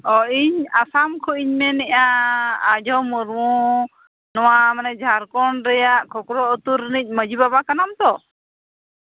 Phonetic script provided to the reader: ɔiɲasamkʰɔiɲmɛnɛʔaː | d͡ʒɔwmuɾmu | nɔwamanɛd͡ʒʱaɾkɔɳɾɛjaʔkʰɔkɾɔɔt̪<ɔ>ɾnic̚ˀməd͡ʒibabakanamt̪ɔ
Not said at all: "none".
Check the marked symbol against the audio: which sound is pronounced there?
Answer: u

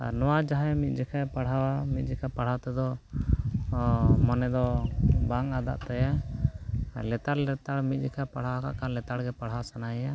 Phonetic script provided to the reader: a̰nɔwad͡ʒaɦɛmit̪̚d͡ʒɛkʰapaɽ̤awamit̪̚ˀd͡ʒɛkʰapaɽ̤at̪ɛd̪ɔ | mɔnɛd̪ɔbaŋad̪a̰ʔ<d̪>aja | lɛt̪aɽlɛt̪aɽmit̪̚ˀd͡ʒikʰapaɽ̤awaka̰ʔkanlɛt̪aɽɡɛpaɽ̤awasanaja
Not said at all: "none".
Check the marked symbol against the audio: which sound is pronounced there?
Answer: t̪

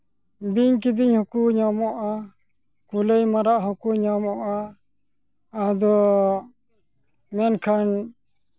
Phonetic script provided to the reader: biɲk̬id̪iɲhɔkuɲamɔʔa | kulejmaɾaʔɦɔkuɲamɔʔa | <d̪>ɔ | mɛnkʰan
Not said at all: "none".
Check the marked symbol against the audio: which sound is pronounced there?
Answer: d̪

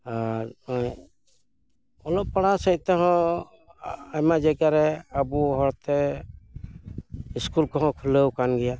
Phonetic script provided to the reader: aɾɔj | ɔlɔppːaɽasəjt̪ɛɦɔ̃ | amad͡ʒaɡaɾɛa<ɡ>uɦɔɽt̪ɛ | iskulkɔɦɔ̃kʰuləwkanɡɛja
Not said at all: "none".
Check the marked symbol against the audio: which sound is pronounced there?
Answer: b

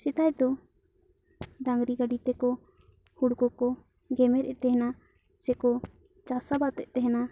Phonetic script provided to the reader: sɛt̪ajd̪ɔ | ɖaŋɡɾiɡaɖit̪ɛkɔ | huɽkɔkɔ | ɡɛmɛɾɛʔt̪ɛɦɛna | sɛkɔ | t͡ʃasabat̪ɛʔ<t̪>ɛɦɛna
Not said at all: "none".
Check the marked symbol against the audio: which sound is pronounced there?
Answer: t̪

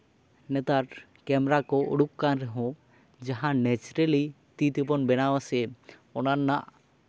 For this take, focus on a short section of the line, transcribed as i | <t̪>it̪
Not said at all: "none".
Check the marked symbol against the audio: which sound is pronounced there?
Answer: t̪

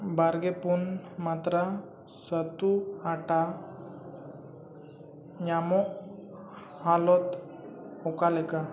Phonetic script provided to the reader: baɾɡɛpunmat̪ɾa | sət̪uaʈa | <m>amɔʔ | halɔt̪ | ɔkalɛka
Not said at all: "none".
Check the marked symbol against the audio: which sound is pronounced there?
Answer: ɲ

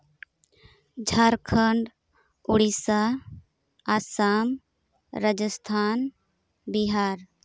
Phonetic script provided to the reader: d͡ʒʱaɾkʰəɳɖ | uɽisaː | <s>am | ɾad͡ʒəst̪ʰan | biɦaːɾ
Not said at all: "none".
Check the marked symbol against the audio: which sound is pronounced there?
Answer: s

